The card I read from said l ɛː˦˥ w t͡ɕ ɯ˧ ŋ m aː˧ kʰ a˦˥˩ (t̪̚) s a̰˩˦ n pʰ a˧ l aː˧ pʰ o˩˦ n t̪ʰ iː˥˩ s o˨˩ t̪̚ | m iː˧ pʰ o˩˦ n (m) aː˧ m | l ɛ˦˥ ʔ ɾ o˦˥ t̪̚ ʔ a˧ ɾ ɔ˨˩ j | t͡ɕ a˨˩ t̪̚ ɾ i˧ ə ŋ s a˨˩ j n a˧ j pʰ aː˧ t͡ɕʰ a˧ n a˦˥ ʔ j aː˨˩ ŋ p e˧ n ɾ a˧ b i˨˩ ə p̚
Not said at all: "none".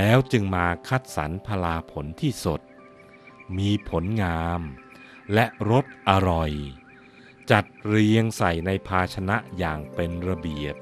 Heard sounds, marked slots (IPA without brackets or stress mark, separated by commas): t̪̚, ŋ